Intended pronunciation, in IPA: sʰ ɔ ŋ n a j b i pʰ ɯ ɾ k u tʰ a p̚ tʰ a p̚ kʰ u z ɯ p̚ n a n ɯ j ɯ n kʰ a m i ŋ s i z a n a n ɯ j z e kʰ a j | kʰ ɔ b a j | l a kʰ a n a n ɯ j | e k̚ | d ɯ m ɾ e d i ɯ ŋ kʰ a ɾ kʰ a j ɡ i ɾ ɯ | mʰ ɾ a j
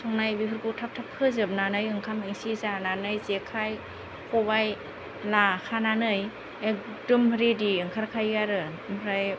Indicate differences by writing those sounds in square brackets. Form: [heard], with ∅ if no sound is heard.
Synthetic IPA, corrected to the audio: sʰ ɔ ŋ n a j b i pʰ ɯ ɾ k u tʰ a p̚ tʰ a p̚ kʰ [ɯ] z ɯ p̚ n a n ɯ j ɯ [ŋ] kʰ a m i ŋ s i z a n a n ɯ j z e kʰ a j | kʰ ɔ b a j | l a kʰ a n a n ɯ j | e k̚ | d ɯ m ɾ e d i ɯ ŋ kʰ a ɾ kʰ a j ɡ [a] ɾ ɯ | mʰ ɾ a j